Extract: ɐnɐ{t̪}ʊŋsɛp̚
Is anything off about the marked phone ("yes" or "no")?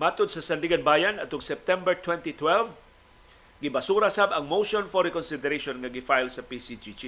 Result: no